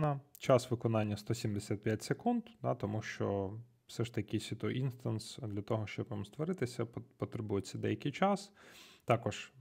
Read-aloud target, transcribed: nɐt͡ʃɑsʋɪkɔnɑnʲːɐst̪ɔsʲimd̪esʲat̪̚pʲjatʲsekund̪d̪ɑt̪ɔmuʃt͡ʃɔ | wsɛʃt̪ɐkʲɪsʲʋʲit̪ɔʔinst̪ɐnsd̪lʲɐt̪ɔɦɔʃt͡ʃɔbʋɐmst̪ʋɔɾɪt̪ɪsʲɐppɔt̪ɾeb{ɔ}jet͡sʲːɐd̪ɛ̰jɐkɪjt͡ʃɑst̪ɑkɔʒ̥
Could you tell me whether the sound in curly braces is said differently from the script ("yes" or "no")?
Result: yes